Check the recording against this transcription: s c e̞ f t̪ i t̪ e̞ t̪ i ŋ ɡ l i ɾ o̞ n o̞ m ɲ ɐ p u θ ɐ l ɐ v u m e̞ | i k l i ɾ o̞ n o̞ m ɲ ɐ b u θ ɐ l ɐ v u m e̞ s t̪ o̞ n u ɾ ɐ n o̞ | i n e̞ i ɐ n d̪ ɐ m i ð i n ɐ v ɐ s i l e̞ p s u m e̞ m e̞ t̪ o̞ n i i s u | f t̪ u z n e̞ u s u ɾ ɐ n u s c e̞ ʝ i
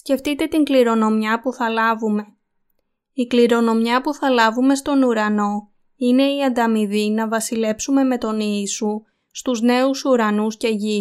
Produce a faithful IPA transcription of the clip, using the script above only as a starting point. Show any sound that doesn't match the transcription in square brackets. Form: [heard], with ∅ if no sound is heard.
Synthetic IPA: s c e̞ f t̪ i t̪ e̞ t̪ i ŋ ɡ l i ɾ o̞ n o̞ m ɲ ɐ p u θ ɐ l ɐ v u m e̞ | i k l i ɾ o̞ n o̞ m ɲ ɐ [p] u θ ɐ l ɐ v u m e̞ s t̪ o̞ n u ɾ ɐ n o̞ | i n e̞ i ɐ n d̪ ɐ m i ð i n ɐ v ɐ s i l e̞ p s u m e̞ m e̞ t̪ o̞ n i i s u | [s] t̪ u z n e̞ u s u ɾ ɐ n u s c e̞ ʝ i